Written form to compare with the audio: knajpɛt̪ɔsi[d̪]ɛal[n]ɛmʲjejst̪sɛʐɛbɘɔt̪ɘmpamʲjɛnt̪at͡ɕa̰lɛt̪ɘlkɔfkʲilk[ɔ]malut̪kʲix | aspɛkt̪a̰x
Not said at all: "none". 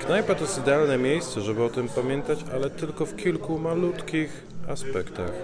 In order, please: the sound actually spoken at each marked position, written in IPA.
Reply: d̪, n, u

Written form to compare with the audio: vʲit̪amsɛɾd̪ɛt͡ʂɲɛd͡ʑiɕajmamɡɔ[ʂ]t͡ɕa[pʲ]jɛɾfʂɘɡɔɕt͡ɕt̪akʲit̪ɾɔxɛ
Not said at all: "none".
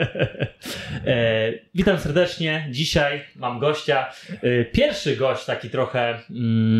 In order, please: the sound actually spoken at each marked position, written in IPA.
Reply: ɕ, pʲ

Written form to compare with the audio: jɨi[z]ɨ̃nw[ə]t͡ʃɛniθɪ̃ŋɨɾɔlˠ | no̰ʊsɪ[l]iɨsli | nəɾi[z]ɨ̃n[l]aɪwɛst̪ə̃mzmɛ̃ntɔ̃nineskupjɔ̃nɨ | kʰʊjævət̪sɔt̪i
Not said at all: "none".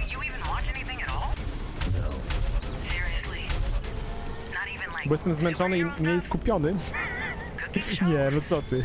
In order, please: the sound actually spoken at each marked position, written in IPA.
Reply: v, ɑ, ɹ, v, l

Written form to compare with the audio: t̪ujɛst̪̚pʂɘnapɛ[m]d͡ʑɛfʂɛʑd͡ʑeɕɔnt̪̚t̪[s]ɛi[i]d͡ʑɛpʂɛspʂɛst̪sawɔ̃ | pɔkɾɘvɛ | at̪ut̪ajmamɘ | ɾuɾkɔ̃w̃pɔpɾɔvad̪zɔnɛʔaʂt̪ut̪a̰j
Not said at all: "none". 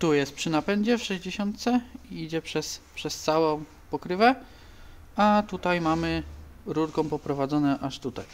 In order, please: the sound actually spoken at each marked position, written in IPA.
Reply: ɲ, s, i

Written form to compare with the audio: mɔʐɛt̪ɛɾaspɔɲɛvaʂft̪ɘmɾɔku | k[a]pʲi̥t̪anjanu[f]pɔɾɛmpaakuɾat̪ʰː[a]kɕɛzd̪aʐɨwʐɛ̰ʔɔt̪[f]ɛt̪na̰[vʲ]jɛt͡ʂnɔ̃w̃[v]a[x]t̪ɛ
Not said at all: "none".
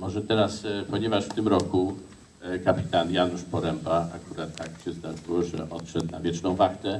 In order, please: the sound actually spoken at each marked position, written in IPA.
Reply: a, ʂ, a, ʂ, vʲ, v, x

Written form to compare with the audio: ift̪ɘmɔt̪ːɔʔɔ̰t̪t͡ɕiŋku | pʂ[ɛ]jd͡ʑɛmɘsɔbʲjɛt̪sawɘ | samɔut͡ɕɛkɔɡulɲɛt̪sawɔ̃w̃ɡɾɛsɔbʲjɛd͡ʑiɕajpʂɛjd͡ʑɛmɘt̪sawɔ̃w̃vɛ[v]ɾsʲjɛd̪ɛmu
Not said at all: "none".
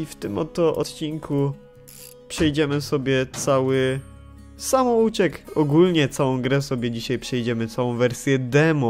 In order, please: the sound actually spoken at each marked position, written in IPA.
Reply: ɛ, none

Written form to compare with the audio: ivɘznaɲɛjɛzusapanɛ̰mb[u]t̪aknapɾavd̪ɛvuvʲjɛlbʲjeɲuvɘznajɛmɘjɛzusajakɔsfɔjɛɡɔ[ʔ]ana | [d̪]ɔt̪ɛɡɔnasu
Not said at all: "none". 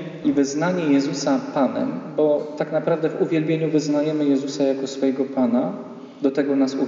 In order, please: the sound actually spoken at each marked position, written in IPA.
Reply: ɔ, p, d̪

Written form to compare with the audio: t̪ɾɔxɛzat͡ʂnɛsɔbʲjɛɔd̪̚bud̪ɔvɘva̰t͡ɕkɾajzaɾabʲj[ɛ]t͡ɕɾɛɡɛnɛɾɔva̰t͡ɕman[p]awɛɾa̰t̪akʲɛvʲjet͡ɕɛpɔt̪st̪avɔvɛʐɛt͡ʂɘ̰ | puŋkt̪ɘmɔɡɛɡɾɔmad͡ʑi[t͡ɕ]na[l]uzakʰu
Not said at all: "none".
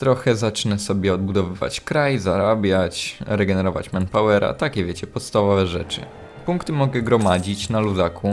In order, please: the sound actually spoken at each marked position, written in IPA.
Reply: a, p, t͡ɕ, l

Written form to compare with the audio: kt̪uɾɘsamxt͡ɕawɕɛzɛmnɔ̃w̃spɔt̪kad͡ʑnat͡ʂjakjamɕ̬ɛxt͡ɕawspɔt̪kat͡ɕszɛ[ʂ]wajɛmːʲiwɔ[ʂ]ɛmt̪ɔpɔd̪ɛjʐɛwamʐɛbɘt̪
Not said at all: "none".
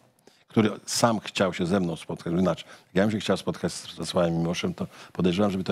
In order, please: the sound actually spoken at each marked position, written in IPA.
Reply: s, ʂ

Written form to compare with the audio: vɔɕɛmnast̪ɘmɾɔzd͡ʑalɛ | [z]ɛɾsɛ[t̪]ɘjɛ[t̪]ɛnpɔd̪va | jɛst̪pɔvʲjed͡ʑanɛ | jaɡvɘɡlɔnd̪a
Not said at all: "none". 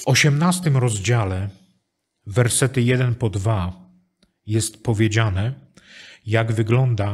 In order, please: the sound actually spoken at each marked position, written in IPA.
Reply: v, t̪, d̪

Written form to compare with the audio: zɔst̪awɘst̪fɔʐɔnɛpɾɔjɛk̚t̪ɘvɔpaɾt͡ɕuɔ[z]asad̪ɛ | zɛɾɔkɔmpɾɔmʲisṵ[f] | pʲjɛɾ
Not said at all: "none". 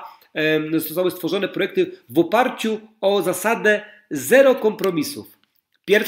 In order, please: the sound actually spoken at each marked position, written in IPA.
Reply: z, f

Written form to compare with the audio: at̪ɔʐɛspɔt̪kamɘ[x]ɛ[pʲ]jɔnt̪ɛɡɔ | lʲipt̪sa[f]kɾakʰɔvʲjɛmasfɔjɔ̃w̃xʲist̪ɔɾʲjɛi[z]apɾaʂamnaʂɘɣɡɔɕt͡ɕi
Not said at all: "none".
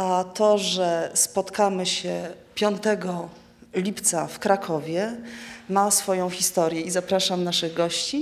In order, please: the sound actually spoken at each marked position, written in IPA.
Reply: ɕ, pʲ, f, z

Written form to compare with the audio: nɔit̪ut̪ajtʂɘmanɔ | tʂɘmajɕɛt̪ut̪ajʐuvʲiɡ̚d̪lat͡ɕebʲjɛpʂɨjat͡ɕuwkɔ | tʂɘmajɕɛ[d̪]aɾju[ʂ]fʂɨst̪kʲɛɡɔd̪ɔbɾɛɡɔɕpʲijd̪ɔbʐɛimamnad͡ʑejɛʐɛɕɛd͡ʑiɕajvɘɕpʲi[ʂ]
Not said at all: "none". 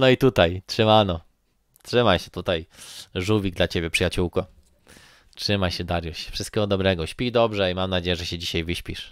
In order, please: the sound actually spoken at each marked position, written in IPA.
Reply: d̪, ɕ, ʂ

